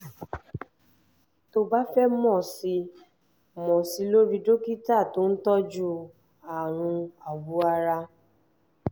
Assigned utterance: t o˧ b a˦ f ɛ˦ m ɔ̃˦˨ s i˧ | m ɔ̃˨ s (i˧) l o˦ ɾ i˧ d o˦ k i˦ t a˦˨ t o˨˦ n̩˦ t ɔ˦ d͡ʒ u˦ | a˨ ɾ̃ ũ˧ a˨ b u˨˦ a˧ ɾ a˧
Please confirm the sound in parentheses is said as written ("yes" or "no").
yes